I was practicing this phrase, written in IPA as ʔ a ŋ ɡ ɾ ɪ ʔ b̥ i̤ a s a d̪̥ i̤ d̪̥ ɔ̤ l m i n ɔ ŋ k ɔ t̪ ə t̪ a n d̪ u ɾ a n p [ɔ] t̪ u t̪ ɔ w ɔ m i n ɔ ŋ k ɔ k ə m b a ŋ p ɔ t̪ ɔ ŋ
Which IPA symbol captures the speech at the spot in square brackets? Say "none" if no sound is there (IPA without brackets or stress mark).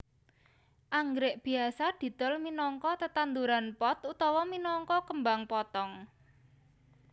ɔ